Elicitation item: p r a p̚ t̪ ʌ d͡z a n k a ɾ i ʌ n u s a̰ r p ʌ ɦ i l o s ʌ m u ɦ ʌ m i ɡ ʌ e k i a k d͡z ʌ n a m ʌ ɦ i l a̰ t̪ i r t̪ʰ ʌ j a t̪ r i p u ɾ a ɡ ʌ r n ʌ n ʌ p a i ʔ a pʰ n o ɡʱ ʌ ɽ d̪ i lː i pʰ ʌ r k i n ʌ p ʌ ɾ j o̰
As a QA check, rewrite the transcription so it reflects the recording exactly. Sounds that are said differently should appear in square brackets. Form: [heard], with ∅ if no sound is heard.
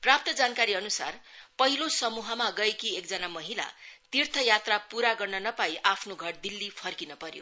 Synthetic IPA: p r a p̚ t̪ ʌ d͡z a n k a ɾ i ʌ n u s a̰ r p ʌ ɦ i l o s ʌ m u ɦ ʌ m [a] ɡ ʌ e k i [e] k d͡z ʌ n a m ʌ ɦ i l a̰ t̪ i r t̪ʰ ʌ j a t̪ r [a] p u ɾ a ɡ ʌ r n ʌ n ʌ p a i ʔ a pʰ n o ɡʱ ʌ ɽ d̪ i lː i pʰ ʌ r k i n ʌ p ʌ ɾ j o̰